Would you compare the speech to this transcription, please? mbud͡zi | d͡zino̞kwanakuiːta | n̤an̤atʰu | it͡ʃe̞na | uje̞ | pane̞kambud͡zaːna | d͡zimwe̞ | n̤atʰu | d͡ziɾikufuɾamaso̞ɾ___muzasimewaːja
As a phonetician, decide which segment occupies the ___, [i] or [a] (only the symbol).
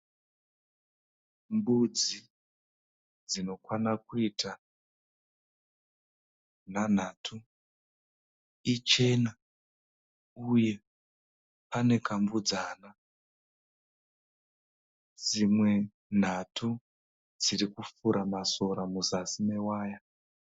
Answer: a